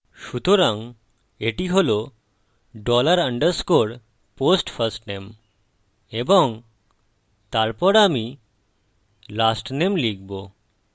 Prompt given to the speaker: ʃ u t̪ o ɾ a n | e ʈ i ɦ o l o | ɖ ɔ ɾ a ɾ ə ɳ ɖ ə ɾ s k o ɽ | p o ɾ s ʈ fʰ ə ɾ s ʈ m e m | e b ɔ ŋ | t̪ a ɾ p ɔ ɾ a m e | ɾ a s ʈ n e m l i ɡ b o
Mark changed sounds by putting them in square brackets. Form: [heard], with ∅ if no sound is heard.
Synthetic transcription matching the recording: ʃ u t̪ o ɾ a [ŋ] | e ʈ i ɦ o l o | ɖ ɔ [l] a ɾ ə ɳ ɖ ə ɾ s k o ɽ | p o [∅] s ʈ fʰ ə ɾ s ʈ [n] e m | e b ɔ ŋ | t̪ a ɾ p ɔ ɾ a m [i] | [l] a s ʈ n e m l i ɡ b o